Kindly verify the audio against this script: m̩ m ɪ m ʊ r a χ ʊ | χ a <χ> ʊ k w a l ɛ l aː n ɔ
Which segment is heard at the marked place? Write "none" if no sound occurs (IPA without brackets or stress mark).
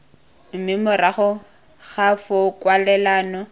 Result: f